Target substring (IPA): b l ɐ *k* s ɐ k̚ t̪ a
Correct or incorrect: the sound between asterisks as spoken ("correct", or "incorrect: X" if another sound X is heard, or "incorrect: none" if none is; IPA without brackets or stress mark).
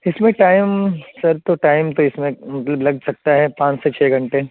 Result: incorrect: ɡ